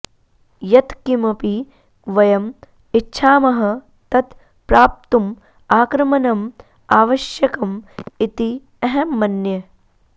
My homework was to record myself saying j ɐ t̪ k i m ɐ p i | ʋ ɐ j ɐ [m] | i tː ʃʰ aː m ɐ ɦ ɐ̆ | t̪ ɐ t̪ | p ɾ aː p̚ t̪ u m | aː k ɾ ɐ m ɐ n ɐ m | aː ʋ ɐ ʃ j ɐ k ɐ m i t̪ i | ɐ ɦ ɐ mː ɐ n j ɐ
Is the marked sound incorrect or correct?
correct